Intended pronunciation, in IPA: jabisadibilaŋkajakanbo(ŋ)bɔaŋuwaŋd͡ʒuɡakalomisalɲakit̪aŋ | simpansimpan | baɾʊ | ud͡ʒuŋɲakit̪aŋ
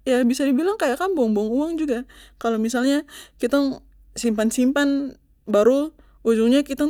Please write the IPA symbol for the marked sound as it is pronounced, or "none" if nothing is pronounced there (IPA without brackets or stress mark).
ŋ